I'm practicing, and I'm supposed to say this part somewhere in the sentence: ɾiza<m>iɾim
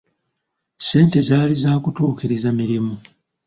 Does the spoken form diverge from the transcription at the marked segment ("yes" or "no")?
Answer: no